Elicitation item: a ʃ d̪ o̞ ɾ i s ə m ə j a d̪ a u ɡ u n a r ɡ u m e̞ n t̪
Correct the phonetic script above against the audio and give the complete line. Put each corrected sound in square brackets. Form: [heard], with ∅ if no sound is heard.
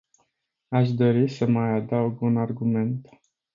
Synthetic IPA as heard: a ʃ d̪ o̞ ɾ i s ə m [a] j a d̪ a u ɡ u n a r ɡ u m e̞ n t̪